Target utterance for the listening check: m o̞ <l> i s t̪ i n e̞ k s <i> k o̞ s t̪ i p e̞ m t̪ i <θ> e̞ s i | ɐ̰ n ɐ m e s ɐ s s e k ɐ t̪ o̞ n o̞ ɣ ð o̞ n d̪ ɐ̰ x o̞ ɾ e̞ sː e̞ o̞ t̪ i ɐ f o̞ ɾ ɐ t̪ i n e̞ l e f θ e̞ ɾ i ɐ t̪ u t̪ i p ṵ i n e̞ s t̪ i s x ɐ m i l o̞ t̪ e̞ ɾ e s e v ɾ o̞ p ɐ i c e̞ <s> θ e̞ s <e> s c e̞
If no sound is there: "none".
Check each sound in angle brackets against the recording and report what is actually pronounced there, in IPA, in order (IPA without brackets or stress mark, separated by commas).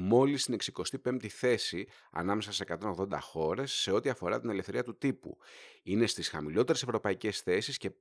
l, i, θ, s, i